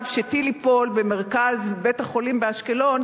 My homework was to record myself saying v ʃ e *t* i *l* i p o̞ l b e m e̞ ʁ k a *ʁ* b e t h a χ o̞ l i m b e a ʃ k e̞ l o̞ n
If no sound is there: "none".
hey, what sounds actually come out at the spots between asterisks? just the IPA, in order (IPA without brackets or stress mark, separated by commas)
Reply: t, l, z